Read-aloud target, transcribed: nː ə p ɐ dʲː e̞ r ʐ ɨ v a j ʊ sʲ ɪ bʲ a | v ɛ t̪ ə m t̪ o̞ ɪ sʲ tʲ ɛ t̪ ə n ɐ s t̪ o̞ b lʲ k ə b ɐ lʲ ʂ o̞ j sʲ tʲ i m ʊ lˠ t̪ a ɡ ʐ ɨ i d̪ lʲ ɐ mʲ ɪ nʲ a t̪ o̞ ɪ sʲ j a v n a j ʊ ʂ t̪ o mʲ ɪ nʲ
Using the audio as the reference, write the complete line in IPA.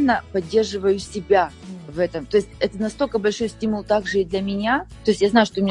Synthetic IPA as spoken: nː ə p ɐ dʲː e̞ r ʐ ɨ v ə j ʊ sʲ ɪ bʲ a | v ɛ t̪ ə m t̪ o̞ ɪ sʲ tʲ ɛ t̪ ə n ɐ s t̪ o̞ lʲ k ə b ɐ lʲ ʂ o̞ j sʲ tʲ i m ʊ lˠ t̪ a ɡ ʐ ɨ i d̪ lʲ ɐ mʲ ɪ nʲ a t̪ o̞ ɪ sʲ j a z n a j ʊ ʂ t̪ o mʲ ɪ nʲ